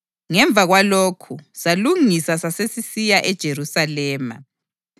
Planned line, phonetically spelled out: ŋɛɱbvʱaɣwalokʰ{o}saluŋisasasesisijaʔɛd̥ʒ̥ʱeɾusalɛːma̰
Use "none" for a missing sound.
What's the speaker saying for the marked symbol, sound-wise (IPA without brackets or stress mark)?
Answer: u